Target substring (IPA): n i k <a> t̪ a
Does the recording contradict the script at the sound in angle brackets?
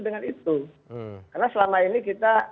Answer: yes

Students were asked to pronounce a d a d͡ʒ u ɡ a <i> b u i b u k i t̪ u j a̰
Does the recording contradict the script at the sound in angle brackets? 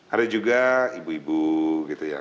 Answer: no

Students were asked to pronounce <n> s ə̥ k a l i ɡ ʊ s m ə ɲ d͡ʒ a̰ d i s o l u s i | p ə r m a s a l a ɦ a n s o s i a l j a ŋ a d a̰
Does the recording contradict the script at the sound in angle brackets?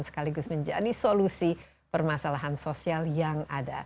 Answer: no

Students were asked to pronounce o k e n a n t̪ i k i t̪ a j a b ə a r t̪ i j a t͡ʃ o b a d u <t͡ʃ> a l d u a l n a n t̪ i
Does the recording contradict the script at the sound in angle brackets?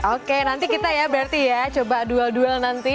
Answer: yes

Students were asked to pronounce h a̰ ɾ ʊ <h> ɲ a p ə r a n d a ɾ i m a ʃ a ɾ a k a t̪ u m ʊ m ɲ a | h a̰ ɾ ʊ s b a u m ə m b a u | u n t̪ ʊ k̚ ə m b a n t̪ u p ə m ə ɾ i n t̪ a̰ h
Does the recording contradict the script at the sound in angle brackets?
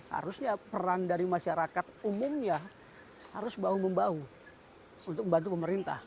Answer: yes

